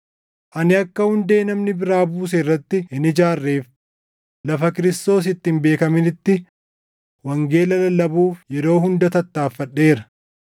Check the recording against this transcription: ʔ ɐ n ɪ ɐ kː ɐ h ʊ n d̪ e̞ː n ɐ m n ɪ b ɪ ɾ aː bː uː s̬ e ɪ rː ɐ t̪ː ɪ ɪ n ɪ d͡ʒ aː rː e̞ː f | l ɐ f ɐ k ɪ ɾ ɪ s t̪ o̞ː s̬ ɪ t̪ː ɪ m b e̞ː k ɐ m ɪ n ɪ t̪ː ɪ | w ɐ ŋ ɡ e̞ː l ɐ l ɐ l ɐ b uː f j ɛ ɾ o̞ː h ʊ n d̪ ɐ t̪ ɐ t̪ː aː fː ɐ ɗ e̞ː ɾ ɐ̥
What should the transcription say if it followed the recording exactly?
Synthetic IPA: ʔ ɐ n ɪ ɐ kː ɐ h ʊ n d̪ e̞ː n ɐ m n ɪ b ɪ ɾ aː b uː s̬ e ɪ rː ɐ t̪ː ɪ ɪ n ɪ d͡ʒ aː rː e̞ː f | l ɐ f ɐ k ɪ ɾ ɪ s t̪ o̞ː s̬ ɪ t̪ː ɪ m b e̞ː k ɐ m ɪ n ɪ t̪ː ɪ | w ɐ ŋ ɡ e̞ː l ɐ l ɐ l ɐ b uː f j ɛ ɾ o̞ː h ʊ n d̪ ɐ t̪ ɐ t̪ː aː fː ɐ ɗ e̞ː ɾ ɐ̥